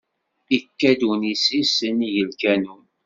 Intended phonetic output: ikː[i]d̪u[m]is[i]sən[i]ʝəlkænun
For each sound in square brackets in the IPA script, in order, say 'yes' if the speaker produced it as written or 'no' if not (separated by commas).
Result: no, no, yes, yes